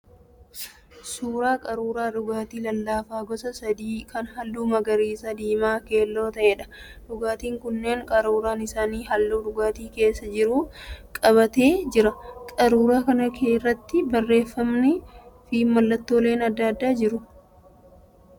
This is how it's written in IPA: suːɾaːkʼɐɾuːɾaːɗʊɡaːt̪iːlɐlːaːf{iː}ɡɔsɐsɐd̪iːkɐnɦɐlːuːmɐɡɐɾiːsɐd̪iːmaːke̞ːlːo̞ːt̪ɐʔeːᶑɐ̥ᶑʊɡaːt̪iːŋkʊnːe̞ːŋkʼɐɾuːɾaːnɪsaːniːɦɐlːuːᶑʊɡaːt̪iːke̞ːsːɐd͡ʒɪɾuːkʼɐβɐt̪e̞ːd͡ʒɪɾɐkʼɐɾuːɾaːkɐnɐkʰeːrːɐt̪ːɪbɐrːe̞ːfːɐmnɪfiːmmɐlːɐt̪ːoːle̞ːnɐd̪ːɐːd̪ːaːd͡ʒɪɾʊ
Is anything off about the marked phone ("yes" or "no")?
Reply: yes